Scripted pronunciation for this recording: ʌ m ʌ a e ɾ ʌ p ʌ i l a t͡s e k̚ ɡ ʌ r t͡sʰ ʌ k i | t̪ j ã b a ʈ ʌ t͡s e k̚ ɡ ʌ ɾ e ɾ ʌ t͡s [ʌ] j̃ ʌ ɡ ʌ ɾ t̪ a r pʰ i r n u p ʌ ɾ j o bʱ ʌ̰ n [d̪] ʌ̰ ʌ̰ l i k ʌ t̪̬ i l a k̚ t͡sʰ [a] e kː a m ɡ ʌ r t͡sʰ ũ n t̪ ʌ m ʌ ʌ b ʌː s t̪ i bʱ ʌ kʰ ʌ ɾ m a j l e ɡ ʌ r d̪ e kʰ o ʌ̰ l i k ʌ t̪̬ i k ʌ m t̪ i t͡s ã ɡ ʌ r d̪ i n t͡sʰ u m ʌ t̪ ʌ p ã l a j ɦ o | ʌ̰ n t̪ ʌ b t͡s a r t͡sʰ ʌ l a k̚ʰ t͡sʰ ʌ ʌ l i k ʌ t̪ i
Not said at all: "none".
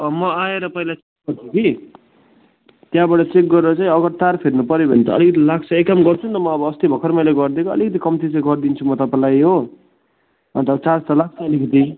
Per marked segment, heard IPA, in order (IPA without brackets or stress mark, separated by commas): a, t̪, ʌ